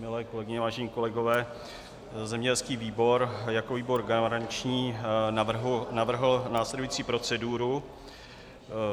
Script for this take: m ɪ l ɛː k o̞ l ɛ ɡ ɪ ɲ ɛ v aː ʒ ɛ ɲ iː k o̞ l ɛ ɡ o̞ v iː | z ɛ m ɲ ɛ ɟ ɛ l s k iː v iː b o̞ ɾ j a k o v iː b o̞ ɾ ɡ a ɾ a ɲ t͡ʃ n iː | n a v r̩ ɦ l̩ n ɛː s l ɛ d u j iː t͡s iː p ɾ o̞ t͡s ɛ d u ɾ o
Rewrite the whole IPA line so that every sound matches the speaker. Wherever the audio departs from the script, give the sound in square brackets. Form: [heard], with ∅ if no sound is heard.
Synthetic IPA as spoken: m ɪ l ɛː k o̞ l ɛ ɡ ɪ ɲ ɛ v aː ʒ ɛ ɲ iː k o̞ l ɛ ɡ o̞ v [ɛː] | z ɛ m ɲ ɛ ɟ ɛ l s k iː v iː b o̞ ɾ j a k o v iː b o̞ ɾ ɡ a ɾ a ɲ t͡ʃ [ɲ] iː | n a v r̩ ɦ l̩ n [aː] s l ɛ d u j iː t͡s iː p ɾ o̞ t͡s ɛ d u ɾ [u]